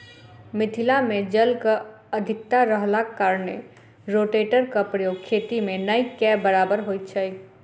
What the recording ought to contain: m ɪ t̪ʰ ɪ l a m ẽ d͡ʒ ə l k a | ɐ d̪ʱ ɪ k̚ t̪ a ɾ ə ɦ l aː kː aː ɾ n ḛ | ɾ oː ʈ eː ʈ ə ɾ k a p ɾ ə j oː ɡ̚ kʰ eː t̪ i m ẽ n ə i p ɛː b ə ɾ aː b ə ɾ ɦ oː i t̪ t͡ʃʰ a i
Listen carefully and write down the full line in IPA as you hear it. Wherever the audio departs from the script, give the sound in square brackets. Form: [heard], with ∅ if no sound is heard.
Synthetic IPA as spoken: m ɪ t̪ʰ ɪ l a m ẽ d͡ʒ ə l k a | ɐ d̪ʱ ɪ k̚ t̪ a ɾ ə ɦ l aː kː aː ɾ n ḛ | ɾ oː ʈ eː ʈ ə ɾ k a p ɾ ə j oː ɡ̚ kʰ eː t̪ i m ẽ n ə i [k] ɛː b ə ɾ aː b ə ɾ ɦ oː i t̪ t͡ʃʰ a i